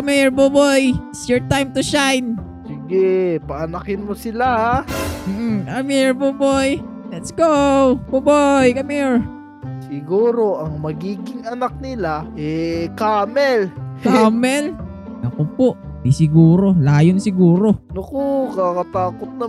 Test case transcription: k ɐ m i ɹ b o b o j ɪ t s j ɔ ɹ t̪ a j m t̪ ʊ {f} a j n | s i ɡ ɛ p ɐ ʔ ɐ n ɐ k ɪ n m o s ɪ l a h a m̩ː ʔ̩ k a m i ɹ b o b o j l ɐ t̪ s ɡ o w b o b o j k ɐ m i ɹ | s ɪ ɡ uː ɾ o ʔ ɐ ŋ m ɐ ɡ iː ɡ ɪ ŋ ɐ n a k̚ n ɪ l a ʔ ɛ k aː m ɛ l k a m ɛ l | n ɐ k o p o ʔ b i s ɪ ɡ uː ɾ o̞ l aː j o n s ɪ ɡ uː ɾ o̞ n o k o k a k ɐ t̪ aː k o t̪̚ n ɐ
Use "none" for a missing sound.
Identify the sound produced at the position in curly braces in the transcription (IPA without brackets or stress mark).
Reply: ʃ